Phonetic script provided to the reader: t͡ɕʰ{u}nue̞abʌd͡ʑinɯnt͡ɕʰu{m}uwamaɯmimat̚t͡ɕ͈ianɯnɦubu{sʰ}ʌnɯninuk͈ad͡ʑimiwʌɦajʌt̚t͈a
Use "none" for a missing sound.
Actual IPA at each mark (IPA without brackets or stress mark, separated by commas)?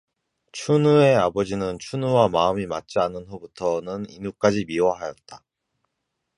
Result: u, n, tʰ